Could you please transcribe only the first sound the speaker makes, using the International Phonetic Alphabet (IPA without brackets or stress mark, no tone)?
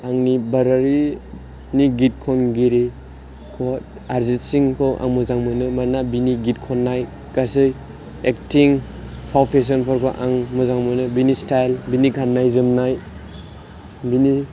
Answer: a